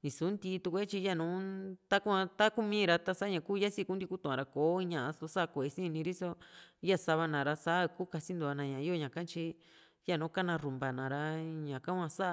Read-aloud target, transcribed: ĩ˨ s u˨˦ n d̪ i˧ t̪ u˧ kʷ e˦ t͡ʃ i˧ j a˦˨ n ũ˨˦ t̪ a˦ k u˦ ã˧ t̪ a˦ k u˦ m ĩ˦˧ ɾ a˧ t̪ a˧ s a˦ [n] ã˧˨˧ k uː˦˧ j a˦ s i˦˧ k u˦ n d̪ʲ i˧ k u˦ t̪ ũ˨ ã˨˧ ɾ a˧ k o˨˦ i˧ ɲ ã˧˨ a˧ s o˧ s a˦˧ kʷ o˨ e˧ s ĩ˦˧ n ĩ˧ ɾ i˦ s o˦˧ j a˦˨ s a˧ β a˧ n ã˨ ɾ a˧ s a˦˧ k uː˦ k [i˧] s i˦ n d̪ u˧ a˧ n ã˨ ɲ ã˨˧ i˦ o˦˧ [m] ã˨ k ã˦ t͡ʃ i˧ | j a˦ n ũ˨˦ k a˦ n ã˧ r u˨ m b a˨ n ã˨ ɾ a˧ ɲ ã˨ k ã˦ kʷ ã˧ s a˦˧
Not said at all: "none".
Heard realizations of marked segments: ɲ, a˧, ɲ

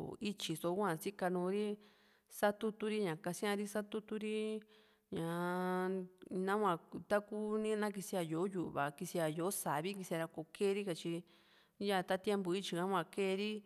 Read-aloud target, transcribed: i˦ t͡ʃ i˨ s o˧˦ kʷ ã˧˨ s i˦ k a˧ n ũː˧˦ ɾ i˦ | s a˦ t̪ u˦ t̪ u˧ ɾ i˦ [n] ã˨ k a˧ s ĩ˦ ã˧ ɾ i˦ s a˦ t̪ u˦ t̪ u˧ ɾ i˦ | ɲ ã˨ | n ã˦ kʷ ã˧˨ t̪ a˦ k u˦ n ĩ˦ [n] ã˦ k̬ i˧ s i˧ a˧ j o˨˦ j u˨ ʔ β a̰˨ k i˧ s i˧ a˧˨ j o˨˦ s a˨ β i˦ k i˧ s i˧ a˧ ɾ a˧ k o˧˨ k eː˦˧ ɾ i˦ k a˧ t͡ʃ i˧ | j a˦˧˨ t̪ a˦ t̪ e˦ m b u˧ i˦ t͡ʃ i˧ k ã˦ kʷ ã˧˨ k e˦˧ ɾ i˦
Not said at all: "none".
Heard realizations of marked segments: ɲ, n

